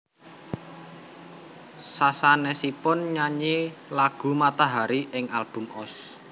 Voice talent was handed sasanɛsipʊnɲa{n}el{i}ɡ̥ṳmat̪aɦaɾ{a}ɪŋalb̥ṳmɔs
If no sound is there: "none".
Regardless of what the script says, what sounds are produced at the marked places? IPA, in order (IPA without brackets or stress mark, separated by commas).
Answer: ɲ, a, i